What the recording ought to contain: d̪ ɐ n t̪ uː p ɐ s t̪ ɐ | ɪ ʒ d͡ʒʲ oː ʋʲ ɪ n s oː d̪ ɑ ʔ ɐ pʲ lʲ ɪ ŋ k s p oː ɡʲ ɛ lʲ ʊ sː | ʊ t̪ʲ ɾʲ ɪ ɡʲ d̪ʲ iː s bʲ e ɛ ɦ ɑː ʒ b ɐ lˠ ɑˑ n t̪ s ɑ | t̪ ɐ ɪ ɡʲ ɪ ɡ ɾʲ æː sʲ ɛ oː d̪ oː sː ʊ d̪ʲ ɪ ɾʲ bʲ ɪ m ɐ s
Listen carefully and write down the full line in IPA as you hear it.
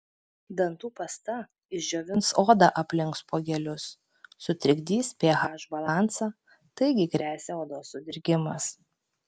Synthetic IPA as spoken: d̪ ɐ n t̪ uː p ɐ s t̪ ɐ | ɪ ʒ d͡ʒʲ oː ʋʲ ɪ n s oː d̪ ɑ ʔ ɐ pʲ lʲ ɪ ŋ k s p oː ɡʲ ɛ lʲ ʊ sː | ʊ t̪ʲ ɾʲ ɪ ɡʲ d̪ʲ iː s pʲ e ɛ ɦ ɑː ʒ b ɐ lˠ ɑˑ n t̪ s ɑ | t̪ ɐ ɪ ɡʲ ɪ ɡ ɾʲ æː sʲ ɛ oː d̪ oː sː ʊ d̪ʲ ɪ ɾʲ ɡʲ ɪ m ɐ s

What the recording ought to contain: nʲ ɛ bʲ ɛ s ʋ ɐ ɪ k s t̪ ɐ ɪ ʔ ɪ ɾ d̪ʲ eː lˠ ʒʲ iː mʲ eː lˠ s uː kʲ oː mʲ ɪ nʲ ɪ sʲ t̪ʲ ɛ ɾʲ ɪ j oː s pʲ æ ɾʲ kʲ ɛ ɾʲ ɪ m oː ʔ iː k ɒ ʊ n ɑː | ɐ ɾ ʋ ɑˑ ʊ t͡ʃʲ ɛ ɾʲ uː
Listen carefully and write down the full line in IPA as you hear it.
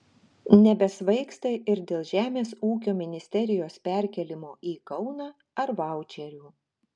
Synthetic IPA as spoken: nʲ ɛ bʲ ɛ s ʋ ɐ ɪ k s t̪ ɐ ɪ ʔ ɪ ɾ d̪ʲ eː lˠ ʒʲ æː mʲ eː s uː kʲ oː mʲ ɪ nʲ ɪ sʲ t̪ʲ ɛ ɾʲ ɪ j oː s pʲ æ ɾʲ kʲ ɛ lʲ ɪ m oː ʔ iː k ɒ ʊ n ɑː | ɐ ɾ ʋ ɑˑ ʊ t͡ʃʲ ɛ ɾʲ uː

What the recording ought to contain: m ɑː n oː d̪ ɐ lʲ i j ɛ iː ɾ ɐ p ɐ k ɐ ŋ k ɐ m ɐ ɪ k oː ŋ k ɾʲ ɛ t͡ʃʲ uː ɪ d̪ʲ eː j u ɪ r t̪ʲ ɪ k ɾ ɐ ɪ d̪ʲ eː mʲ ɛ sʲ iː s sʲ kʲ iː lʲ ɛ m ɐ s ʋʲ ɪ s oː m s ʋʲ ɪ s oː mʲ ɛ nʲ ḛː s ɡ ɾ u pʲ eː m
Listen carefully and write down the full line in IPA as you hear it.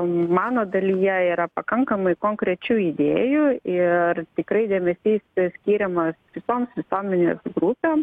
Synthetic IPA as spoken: m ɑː n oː d̪ ɐ lʲ i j ɛ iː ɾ ɐ p ɐ k ɐ ŋ k ɐ m ɐ ɪ k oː ŋ k ɾʲ ɛ t͡ʃʲ uː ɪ d̪ʲ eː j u ɪ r t̪ʲ ɪ k ɾ ɐ ɪ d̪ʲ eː mʲ ɛ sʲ iː s sʲ kʲ iː ɾʲ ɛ m ɐ s ʋʲ ɪ s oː m s ʋʲ ɪ s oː mʲ ɛ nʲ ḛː s ɡ ɾ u pʲ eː m

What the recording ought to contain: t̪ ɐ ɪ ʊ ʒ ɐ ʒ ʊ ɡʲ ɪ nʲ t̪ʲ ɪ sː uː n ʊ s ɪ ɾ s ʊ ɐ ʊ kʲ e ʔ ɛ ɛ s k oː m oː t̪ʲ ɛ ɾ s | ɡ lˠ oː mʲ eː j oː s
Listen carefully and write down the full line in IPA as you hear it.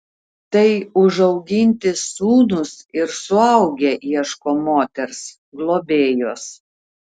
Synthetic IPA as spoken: t̪ ɐ ɪ ʊ ʒ ɐ ʊ ɡʲ ɪ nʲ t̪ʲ ɪ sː uː n ʊ s ɪ ɾ s ʊ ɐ ʊ ɡʲ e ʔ i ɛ ʃ k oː m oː t̪ʲ ɛ ɾ s | ɡ lˠ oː bʲ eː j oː s

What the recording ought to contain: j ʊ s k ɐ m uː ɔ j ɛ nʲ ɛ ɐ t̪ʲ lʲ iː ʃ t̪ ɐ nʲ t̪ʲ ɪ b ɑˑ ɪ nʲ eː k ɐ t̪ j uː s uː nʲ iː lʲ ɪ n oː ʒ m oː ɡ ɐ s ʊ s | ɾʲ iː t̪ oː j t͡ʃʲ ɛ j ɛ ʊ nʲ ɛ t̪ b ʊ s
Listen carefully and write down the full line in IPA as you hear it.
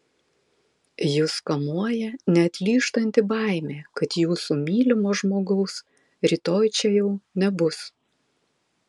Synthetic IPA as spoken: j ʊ s k ɐ m u ɔ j ɛ nʲ ɛ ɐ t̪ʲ lʲ iː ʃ t̪ ɐ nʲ t̪ʲ ɪ b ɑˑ ɪ mʲ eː k ɐ t̪ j uː s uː mʲ iː lʲ ɪ m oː ʒ m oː ɡ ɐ ʊ s | ɾʲ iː t̪ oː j t͡ʃʲ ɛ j ɛ ʊ nʲ ɛ b ʊ s

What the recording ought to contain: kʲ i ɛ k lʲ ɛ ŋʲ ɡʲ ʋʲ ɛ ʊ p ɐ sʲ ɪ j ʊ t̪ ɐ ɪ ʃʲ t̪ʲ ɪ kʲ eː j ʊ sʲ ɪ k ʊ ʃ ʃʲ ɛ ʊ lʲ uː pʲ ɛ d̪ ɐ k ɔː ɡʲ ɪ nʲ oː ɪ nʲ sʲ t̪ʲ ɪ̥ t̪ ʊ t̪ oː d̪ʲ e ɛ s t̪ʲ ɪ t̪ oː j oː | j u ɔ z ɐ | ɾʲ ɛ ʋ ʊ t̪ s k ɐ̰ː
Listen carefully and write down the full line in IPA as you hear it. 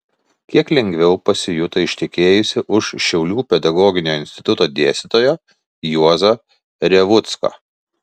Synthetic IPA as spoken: kʲ i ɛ k lʲ ɛ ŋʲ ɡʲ ʋʲ ɛ ʊ p ɐ sʲ ɪ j ʊ t̪ ɐ ɪ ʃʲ t̪ʲ ɪ kʲ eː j ʊ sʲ ɪ ʔ ʊ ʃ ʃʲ ɛ ʊ lʲ uː pʲ ɛ d̪ ɐ ɡ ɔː ɡʲ ɪ nʲ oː ɪ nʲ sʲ t̪ʲ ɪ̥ t̪ ʊ t̪ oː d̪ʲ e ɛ s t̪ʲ ɪ t̪ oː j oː | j u ɔ z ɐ | ɾʲ ɛ ʋ ʊ t̪ s k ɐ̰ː

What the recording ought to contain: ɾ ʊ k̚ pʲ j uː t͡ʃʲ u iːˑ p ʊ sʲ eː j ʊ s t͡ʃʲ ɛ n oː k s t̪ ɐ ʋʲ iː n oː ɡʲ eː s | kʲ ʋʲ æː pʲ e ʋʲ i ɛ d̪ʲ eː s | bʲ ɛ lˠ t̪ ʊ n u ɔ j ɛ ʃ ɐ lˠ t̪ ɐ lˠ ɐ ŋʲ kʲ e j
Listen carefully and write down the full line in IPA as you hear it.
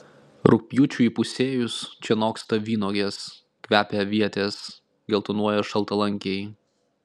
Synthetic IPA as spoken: ɾ ʊ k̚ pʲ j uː t͡ʃʲ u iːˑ p ʊ sʲ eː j ʊ s t͡ʃʲ ɛ n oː k s t̪ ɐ ʋʲ iː n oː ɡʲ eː s | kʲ ʋʲ æː pʲ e ʋʲ i ɛ t̪ʲ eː s | ɡʲ ɛ lˠ t̪ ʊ n u ɔ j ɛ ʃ ɐ lˠ t̪ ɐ lˠ ɐ ŋʲ kʲ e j

